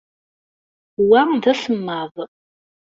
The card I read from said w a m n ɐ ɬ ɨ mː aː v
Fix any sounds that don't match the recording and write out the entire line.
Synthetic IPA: w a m d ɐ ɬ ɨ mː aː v